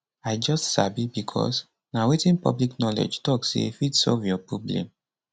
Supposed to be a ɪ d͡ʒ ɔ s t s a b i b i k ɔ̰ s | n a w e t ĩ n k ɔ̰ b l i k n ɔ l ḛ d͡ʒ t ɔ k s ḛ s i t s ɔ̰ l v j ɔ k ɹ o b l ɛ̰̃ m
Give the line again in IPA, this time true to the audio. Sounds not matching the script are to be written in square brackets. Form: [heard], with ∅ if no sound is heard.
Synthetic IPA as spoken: a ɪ d͡ʒ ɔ s t s a b i b i [kʰ] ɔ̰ s | n a w e t ĩ n [p] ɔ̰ b l i k n ɔ l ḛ d͡ʒ t ɔ k s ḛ [f] i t s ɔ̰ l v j ɔ [p] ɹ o b l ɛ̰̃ m